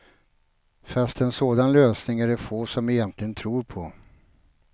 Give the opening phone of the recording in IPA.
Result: f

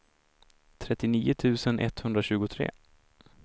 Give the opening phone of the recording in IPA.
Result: t̪ʰ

